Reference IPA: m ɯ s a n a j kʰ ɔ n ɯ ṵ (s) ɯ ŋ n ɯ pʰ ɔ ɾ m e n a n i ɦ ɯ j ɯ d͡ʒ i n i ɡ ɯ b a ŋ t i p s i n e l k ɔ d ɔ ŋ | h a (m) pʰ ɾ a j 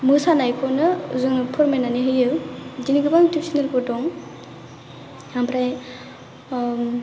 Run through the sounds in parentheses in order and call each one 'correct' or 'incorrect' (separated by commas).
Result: incorrect, correct